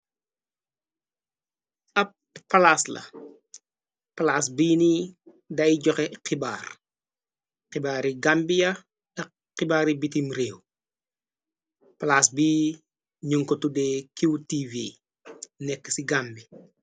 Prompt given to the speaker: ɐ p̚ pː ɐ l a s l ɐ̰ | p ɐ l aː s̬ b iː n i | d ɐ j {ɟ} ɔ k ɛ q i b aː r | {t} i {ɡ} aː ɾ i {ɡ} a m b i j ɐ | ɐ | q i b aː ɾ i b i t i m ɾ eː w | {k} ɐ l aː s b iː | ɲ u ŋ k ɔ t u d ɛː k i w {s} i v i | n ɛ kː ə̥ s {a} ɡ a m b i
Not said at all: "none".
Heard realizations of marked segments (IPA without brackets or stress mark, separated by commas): ɟ, q, b, ɡ, p, t, i